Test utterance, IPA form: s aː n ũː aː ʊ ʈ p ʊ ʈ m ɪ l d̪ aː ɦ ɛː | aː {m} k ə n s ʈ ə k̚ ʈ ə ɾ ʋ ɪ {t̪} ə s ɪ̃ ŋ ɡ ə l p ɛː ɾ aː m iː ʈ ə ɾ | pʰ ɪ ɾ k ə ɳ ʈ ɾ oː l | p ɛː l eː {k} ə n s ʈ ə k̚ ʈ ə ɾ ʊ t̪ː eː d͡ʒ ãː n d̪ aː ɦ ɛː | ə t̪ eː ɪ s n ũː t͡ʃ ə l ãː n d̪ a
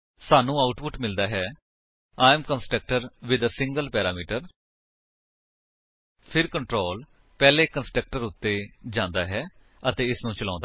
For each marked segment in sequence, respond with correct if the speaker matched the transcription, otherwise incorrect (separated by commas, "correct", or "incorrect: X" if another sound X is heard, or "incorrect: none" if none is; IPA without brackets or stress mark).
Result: correct, incorrect: d̪, correct